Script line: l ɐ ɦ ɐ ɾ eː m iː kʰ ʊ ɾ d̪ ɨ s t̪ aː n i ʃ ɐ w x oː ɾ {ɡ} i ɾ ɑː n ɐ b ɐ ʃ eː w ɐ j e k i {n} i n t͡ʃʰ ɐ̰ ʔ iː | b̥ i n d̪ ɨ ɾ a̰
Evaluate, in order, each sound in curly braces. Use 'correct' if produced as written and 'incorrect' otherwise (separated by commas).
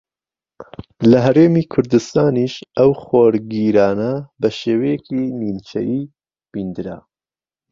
correct, correct